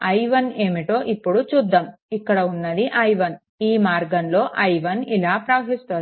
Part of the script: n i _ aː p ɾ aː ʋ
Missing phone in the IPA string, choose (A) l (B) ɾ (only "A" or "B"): A